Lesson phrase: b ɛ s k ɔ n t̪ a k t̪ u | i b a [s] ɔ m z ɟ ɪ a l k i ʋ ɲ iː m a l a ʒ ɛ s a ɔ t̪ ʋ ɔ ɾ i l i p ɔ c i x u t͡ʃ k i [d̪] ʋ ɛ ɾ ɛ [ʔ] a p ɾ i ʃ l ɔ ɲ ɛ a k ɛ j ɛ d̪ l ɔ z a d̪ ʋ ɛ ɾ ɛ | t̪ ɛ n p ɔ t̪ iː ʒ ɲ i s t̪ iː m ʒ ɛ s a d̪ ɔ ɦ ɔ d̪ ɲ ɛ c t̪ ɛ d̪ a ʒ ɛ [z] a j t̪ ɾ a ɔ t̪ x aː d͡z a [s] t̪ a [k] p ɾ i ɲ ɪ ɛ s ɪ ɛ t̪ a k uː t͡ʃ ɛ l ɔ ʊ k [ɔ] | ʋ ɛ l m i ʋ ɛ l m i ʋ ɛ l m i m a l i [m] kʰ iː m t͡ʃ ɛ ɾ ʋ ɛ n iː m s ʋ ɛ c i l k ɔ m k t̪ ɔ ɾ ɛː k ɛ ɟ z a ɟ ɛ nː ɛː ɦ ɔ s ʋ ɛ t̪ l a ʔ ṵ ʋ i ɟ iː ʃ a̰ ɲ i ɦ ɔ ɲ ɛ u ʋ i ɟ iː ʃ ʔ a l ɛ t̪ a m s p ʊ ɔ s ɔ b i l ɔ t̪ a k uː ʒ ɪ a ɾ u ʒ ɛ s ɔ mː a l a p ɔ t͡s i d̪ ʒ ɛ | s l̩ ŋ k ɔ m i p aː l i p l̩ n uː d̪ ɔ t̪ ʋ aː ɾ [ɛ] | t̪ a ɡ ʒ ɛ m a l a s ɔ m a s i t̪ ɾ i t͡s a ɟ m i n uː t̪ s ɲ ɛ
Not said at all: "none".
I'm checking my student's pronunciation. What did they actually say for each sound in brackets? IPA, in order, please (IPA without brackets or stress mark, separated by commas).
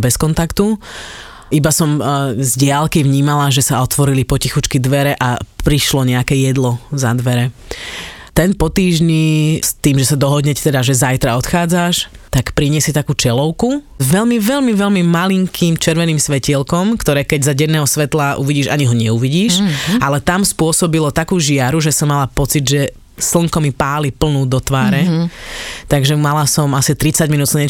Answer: s, d̪, ʔ, z, ʃ, k, u, ŋ, ɛ